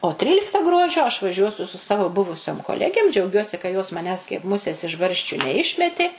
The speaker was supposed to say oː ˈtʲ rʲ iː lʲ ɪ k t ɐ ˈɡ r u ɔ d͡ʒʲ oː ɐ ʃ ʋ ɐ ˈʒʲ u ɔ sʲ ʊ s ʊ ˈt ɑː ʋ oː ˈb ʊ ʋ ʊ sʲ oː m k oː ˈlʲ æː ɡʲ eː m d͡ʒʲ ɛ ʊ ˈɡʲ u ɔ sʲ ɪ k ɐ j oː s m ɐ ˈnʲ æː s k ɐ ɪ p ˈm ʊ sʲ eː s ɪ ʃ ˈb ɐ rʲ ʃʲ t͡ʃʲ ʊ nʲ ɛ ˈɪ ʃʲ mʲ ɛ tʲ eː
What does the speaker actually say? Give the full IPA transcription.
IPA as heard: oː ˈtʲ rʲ iː lʲ ɪ k t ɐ ˈɡ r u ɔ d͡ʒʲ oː ɐ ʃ ʋ ɐ ˈʒʲ u ɔ sʲ ʊ s ʊ ˈs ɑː ʋ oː ˈb ʊ ʋ ʊ sʲ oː m k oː ˈlʲ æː ɡʲ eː m d͡ʒʲ ɛ ʊ ˈɡʲ u ɔ sʲ ɪ k ɐ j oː s m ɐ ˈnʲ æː s k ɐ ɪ p ˈm ʊ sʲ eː s ɪ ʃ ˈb ɐ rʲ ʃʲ t͡ʃʲ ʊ nʲ ɛ ˈɪ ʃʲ mʲ ɛ tʲ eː